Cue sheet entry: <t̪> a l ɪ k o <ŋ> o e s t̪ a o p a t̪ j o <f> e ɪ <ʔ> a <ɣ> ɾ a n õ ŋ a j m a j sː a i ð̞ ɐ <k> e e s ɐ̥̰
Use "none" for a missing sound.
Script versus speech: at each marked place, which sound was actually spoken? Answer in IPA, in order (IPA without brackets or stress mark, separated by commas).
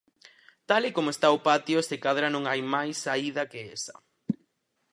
t̪, m, s, k, ð, k